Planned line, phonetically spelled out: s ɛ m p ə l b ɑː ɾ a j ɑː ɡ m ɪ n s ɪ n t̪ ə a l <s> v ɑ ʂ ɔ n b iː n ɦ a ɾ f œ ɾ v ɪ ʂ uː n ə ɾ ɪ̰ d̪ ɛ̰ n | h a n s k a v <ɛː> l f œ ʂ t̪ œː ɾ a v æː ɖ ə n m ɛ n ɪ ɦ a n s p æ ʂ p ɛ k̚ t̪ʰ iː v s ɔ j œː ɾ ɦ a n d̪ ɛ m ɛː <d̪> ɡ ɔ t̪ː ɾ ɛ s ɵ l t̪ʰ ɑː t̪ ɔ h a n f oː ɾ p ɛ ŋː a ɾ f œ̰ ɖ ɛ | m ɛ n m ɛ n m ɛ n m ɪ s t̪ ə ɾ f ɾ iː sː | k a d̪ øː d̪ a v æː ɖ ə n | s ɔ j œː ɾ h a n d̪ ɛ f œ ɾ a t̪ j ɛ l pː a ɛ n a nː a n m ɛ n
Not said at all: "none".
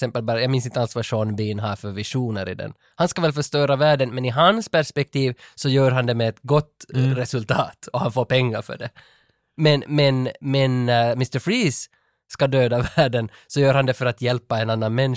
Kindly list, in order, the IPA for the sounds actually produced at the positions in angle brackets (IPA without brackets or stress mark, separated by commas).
s, ɛ, t̪